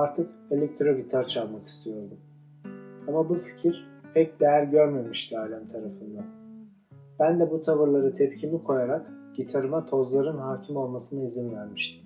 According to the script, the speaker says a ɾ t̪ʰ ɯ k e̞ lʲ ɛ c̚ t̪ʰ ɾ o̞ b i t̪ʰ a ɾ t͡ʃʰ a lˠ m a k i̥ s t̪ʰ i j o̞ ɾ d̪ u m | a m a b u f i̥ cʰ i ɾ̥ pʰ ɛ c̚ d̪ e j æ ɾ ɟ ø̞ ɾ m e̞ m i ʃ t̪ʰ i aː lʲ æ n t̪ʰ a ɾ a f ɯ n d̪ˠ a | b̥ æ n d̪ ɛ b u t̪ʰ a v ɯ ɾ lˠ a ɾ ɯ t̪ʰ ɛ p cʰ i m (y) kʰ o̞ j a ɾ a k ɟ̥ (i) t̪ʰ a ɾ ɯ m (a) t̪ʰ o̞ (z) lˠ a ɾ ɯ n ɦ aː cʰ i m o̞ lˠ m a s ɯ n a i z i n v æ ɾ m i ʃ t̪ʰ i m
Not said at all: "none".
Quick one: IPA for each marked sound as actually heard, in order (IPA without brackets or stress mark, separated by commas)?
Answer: i, i, a, z